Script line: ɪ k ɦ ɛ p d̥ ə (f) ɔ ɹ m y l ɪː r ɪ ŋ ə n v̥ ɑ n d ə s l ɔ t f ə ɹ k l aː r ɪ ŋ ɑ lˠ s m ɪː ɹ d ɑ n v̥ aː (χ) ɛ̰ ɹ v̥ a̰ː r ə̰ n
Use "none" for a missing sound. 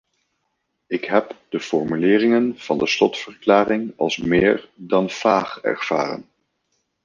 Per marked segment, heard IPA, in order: f, χ

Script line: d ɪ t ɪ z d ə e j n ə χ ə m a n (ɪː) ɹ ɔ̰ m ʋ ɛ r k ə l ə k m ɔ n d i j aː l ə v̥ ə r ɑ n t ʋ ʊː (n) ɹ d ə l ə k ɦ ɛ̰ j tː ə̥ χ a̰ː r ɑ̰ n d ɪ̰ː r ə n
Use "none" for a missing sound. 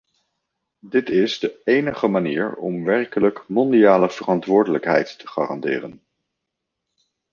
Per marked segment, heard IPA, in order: iː, none

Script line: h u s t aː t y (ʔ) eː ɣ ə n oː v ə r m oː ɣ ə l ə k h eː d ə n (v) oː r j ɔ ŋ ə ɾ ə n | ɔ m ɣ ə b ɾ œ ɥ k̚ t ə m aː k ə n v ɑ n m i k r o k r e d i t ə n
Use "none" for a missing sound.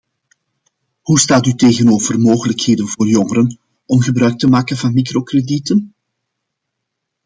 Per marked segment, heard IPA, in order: t, v

